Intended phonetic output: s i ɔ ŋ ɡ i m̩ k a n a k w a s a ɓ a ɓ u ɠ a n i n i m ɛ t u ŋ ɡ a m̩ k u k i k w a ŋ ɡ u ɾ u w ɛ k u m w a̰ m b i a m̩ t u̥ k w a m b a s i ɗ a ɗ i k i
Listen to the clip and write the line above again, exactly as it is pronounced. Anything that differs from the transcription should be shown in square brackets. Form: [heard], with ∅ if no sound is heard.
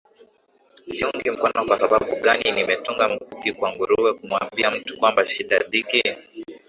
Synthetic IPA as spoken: s i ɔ ŋ ɡ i m̩ k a n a k w a s a ɓ a ɓ u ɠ a n i n i m ɛ t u ŋ ɡ a m̩ k u k i k w a ŋ ɡ u ɾ u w ɛ k u m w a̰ m b i a m̩ t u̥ k w a m b a [ʃ] i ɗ a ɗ i k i